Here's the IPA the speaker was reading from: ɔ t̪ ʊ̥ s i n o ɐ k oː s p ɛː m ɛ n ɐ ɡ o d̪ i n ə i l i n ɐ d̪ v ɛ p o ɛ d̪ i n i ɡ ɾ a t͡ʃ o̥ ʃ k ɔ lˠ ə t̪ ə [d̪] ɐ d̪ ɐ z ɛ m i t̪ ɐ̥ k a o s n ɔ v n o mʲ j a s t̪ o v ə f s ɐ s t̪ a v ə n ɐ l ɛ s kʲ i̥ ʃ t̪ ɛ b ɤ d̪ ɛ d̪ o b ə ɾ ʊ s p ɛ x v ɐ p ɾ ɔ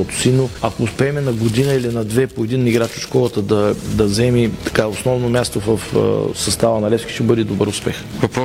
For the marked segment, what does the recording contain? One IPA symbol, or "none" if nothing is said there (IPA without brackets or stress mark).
d̪